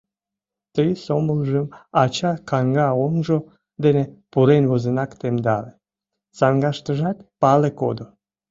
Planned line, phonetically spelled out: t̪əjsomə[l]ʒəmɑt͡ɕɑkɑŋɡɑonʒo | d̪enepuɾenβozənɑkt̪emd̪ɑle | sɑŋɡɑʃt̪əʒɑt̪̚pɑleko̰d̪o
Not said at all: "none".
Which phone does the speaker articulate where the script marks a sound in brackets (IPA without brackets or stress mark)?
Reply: l